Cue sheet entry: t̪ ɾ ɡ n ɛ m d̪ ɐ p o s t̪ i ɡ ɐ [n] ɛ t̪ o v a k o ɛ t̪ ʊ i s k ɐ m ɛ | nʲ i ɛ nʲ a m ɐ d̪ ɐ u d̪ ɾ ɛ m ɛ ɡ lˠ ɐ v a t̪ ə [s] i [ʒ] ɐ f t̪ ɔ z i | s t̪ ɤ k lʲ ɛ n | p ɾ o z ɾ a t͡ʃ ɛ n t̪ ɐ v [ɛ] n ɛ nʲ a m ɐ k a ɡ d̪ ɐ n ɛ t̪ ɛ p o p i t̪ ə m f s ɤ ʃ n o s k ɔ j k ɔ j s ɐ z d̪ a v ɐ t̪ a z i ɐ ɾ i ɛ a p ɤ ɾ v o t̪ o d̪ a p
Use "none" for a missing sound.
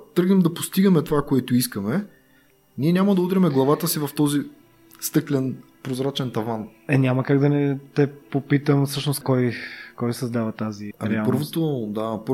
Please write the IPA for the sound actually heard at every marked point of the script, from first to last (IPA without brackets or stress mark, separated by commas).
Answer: m, s, v, a